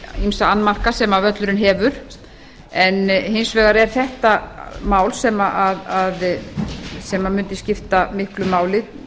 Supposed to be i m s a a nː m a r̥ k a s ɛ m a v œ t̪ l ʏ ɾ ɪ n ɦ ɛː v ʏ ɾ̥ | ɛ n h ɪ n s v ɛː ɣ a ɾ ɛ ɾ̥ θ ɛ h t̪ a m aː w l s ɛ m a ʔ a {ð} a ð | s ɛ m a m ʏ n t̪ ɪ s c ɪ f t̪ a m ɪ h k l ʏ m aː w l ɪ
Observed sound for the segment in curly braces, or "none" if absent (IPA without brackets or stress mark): ð